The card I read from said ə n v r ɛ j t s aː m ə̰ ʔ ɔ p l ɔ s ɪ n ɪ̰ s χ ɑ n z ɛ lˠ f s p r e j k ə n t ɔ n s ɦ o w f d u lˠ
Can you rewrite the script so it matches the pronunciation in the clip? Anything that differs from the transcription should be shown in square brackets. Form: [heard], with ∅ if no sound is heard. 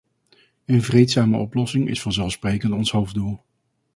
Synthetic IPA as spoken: ə n v r [e] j t s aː m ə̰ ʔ ɔ p l ɔ s ɪ [ŋ] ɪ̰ s [f] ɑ n z ɛ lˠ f s p r e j k ə n t ɔ n s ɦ o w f d u lˠ